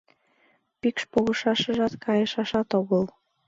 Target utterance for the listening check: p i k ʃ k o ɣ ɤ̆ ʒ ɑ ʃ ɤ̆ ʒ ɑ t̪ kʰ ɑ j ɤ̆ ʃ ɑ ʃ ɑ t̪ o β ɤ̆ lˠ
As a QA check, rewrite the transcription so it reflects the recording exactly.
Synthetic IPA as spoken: p i k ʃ p o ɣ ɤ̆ ʃ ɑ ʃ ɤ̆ ʒ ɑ t̪ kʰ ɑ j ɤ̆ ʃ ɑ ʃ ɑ t̪ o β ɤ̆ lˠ